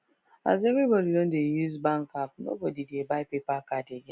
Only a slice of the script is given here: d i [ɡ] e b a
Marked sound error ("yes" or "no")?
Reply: yes